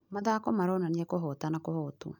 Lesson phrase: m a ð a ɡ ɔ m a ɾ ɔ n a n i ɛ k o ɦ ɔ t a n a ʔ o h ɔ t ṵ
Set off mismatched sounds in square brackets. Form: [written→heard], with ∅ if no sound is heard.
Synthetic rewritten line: m a ð a [ɡ→k] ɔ m a ɾ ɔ n a n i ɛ k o ɦ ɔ t a n a [ʔ→k] o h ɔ t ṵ

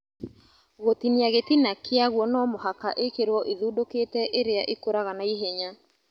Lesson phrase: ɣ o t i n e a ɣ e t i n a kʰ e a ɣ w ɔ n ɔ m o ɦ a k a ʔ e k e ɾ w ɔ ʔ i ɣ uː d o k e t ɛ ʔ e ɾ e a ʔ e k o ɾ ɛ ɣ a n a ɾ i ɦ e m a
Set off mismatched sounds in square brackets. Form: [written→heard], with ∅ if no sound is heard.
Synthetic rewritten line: ɣ o t i n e a ɣ e t i n a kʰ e a ɣ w ɔ n ɔ m o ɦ a k a ʔ e k e ɾ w ɔ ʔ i [ɣ→ð] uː d o k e t ɛ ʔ e ɾ e a ʔ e k o ɾ [ɛ→a] ɣ a n a [ɾ→∅] i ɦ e [m→ɲ] a

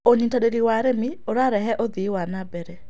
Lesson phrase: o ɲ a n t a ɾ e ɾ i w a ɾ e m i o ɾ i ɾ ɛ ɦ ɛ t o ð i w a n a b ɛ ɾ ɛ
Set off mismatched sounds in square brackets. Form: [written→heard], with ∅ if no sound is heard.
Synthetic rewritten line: o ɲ [a→i] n t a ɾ e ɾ i w a ɾ e m i o ɾ [i→a] ɾ ɛ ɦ ɛ [t→ʔ] o ð i w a n a b ɛ ɾ ɛ

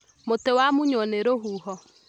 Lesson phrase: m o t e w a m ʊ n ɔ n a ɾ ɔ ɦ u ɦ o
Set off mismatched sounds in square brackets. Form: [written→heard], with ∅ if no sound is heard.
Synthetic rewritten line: m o t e w a m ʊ [n→ɲ] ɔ n [a→e] ɾ [ɔ→o] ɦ u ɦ [o→ɔ]

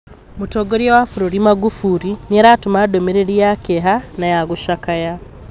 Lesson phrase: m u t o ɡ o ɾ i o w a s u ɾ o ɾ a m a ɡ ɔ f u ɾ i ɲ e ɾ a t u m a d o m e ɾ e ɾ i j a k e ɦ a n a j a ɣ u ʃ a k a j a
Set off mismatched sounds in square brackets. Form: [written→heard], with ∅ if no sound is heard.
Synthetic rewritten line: m u t o ɡ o ɾ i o w a [s→f] u ɾ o ɾ [a→i] m a ɡ [ɔ→u] f u ɾ i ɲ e ɾ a t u m a d o m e ɾ e ɾ i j a k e ɦ a n a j a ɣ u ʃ a k a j a

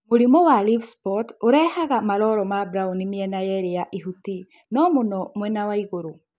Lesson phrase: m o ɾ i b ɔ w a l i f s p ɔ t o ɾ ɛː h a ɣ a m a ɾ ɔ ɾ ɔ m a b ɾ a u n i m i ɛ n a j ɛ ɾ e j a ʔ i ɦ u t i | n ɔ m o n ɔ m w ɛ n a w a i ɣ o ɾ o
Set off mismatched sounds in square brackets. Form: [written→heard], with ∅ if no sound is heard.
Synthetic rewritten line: m o ɾ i [b→m] ɔ w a l i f s p ɔ t o ɾ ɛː h a ɣ a m a ɾ ɔ ɾ ɔ m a b ɾ a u n i m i ɛ n a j ɛ ɾ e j a ʔ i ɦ u t i | n ɔ m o n ɔ m w ɛ n a w a i ɣ o ɾ o

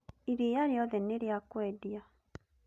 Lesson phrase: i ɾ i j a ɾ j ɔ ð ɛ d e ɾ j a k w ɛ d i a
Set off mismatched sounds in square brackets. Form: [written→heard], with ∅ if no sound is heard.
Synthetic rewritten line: i ɾ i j a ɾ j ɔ ð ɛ [d→n] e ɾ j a k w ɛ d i a

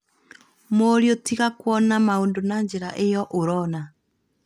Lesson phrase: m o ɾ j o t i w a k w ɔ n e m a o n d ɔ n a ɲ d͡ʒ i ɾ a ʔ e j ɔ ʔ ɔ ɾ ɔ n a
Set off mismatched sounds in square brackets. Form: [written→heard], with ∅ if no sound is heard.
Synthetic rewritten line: m o ɾ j o t i [w→ɣ] a k w ɔ n [e→a] m a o n d [ɔ→o] n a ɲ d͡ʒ [i→e] ɾ a ʔ e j ɔ ʔ [ɔ→o] ɾ ɔ n a

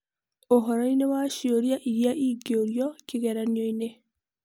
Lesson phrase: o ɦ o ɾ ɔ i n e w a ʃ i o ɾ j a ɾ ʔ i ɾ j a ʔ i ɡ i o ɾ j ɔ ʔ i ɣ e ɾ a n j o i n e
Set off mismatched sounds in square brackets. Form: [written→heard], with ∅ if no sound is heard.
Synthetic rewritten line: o ɦ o ɾ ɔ i n e w a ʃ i o ɾ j a [ɾ→∅] ʔ i ɾ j a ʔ i ɡ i o ɾ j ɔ [ʔ→k] i ɣ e ɾ a n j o i n e

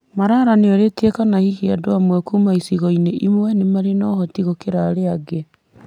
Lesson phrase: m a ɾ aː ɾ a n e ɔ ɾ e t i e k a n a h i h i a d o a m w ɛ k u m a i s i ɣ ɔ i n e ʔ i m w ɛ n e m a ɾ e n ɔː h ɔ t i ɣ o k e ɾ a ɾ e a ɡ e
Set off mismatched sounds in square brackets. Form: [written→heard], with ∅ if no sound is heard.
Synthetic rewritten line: m a ɾ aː ɾ a n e ɔ ɾ e t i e k a n a h i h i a d o a m w ɛ k u m a i s i ɣ ɔ i n e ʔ i m w ɛ n e m a ɾ e n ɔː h ɔ t i ɣ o k e ɾ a ɾ e a ɡ e

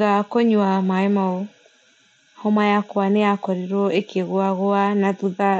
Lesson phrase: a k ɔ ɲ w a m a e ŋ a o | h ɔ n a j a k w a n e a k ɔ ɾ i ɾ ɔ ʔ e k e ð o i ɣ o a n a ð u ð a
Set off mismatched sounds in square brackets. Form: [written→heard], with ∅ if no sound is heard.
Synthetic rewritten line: a k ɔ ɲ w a m a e [ŋ→m] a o | h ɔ [n→m] a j a k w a n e a k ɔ ɾ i ɾ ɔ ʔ e k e [ð→ɣ] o [i→a] ɣ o a n a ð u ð a

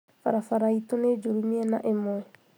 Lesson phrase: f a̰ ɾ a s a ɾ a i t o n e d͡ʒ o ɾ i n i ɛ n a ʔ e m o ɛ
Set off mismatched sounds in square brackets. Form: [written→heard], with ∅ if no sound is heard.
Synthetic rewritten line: f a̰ ɾ a [s→f] a ɾ a i t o n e d͡ʒ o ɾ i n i ɛ n a ʔ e m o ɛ

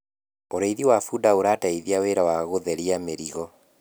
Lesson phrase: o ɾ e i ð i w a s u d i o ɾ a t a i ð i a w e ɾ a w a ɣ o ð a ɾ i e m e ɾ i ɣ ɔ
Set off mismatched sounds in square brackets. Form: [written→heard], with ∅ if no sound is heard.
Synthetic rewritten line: o ɾ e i ð i w a [s→f] u d [i→a] o ɾ a t a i ð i a w e ɾ a w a ɣ o ð [a→ɛ] ɾ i [e→a] m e ɾ i ɣ ɔ

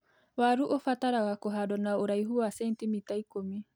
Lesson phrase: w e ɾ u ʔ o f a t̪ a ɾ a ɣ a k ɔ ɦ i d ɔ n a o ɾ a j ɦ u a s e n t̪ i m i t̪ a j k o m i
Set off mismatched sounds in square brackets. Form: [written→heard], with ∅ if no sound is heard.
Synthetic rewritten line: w [e→a] ɾ u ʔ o f a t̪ a ɾ a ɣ a k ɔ ɦ [i→a] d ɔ n a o ɾ a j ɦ u a s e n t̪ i m i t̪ a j k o m i

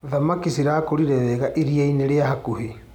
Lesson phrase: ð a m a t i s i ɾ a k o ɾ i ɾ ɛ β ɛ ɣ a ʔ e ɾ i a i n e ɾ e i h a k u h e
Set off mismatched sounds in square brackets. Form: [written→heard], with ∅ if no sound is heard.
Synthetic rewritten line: ð a m a [t→k] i s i ɾ a k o ɾ i ɾ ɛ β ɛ ɣ a ʔ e ɾ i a i n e ɾ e [i→a] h a k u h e

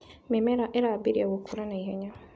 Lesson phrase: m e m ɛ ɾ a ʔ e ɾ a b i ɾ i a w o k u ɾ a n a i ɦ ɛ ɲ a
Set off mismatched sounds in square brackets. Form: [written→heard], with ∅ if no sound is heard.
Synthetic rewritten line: m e m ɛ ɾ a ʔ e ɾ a b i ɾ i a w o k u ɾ a n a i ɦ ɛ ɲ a

